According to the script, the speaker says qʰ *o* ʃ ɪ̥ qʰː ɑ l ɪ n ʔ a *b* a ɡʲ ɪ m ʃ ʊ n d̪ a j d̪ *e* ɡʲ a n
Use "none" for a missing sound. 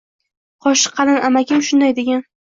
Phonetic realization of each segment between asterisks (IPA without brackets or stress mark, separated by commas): ɒ, m, e